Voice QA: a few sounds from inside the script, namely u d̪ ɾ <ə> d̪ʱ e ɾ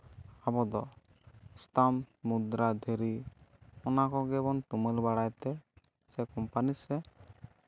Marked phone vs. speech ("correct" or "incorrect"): incorrect